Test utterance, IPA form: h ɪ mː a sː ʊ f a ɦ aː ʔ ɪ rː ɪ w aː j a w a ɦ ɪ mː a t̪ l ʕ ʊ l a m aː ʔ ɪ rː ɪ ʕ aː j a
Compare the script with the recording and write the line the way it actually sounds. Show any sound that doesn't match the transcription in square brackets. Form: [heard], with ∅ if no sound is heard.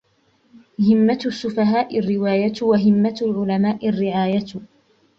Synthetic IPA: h ɪ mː a sː ʊ f a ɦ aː ʔ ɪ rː ɪ w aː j a w a ɦ ɪ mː a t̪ l ʕ ʊ l a m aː ʔ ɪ rː ɪ ʕ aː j a